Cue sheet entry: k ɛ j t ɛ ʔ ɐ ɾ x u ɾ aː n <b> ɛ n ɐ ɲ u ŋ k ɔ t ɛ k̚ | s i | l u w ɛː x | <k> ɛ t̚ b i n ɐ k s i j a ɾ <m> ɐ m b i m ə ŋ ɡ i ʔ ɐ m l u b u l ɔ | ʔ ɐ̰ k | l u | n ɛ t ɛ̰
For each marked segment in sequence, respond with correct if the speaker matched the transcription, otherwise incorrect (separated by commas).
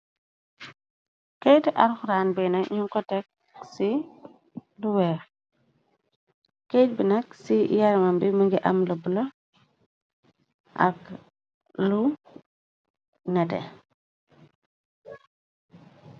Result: correct, correct, correct